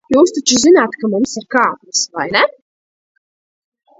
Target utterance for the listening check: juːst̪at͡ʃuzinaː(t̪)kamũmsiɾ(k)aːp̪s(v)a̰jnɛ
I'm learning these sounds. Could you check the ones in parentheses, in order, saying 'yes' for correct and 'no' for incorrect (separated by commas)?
yes, yes, yes